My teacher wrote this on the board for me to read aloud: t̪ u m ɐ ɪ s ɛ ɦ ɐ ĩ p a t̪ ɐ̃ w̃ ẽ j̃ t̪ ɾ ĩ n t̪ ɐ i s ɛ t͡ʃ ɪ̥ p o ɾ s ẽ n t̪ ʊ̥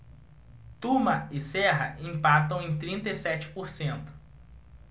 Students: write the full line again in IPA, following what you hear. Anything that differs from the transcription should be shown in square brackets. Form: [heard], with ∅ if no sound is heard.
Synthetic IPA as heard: t̪ u m ɐ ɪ s ɛ ɦ ɐ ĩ p a t̪ ɐ̃ w̃ ẽ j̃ t̪ ɾ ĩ n t̪ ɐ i s ɛ t͡ʃ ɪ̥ p o ɾ s ẽ n t̪ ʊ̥